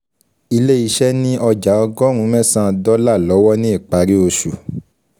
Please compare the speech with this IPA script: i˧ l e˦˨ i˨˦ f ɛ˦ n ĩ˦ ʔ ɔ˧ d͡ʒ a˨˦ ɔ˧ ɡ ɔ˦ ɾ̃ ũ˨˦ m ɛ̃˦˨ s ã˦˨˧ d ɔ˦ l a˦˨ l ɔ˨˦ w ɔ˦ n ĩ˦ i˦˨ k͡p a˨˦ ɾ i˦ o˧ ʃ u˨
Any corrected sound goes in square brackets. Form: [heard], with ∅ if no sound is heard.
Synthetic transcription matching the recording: i˧ l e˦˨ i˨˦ [ʃ] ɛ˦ n ĩ˦ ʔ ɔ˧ d͡ʒ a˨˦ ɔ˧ ɡ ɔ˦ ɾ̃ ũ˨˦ m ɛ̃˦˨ s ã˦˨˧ d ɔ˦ l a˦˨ l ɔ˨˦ w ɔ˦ n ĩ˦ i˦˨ k͡p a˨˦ ɾ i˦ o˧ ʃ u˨